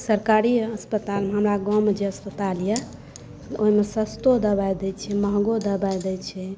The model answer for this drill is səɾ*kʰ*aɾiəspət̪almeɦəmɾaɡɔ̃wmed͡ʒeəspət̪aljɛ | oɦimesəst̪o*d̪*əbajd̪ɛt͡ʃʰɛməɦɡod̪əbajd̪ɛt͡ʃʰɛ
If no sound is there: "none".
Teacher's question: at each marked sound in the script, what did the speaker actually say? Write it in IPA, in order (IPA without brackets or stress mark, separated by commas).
k, d̪